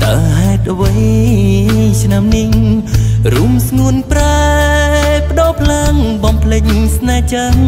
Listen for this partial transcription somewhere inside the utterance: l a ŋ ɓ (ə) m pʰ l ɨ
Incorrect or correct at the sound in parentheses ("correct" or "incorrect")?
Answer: incorrect